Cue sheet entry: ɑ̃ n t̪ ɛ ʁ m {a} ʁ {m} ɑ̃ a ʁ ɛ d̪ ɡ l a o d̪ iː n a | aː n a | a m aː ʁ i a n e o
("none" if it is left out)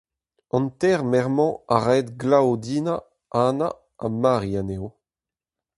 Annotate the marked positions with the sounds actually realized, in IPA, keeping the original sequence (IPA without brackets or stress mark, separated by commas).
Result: ɛ, m